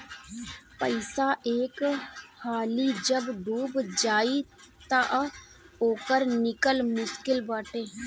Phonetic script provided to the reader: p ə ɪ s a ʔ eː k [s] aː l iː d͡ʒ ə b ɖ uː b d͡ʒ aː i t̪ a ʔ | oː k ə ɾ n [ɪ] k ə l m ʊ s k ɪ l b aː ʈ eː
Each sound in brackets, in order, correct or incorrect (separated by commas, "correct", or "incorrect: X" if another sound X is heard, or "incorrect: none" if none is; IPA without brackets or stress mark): incorrect: h, correct